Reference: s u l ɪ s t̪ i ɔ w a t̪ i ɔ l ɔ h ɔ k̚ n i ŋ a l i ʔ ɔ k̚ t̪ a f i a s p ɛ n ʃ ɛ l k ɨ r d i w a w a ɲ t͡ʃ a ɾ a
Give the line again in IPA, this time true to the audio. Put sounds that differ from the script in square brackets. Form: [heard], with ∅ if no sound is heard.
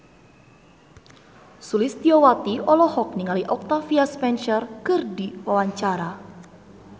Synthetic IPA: s u l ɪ s t̪ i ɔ w a t̪ i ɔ l ɔ h ɔ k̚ n i ŋ a l i ʔ ɔ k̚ t̪ a f i a s p ɛ n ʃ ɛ [r] k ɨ r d i w a w a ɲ t͡ʃ a ɾ a